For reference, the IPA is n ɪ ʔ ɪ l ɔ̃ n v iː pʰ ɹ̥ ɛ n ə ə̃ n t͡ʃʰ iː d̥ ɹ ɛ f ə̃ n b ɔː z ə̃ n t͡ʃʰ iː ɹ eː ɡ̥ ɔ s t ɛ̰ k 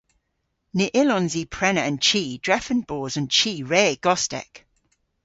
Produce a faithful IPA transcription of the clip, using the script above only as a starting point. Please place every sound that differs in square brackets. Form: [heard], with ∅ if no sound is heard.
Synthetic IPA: n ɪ ʔ ɪ l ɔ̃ n [z] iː pʰ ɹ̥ ɛ n ə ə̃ n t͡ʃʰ iː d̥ ɹ ɛ f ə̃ n b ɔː z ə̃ n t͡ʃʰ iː ɹ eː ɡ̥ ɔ s t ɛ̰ k